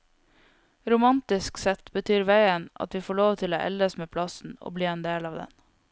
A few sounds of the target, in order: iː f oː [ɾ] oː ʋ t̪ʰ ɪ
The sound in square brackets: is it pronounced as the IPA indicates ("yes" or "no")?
no